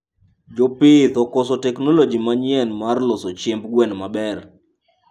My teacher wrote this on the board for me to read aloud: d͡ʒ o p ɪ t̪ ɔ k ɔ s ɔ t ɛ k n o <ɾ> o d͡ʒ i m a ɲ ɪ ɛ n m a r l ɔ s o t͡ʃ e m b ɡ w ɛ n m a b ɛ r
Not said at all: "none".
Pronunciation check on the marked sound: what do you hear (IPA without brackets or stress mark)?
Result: l